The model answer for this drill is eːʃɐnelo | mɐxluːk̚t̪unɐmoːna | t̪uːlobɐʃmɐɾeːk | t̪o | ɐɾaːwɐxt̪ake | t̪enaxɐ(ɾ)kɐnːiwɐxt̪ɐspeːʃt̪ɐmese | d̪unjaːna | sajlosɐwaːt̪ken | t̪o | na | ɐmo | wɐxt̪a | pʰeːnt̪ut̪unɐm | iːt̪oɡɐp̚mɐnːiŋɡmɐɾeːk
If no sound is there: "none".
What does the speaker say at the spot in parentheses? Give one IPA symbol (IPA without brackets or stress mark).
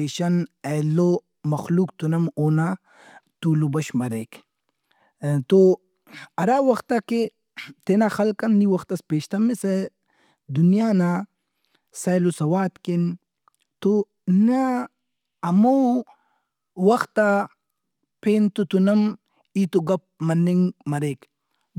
l